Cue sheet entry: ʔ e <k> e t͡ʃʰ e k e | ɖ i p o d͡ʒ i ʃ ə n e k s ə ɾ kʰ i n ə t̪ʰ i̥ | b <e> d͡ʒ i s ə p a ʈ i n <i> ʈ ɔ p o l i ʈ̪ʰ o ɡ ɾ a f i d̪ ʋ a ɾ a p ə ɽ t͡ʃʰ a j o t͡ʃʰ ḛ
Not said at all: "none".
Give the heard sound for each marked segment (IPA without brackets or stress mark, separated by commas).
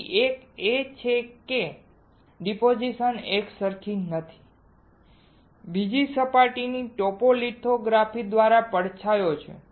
k, i, i